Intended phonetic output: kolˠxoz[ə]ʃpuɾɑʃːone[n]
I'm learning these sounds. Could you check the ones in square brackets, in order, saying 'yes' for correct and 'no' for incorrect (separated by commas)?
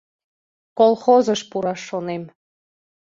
yes, no